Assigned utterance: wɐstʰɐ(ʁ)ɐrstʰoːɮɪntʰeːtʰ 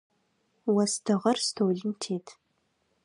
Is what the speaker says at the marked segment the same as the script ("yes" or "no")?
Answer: yes